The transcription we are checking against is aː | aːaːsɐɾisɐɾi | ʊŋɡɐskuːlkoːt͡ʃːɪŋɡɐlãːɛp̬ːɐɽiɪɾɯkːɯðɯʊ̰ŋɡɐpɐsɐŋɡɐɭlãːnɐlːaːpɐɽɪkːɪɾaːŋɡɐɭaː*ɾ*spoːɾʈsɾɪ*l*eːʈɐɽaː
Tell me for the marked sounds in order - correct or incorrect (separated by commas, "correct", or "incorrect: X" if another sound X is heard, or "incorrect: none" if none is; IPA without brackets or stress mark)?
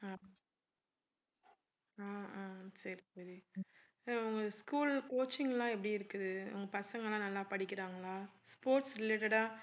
incorrect: none, correct